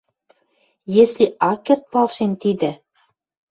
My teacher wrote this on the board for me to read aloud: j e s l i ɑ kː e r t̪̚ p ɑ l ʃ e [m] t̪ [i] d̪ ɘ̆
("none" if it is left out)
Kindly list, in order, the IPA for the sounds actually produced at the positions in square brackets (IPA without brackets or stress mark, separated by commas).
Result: n, i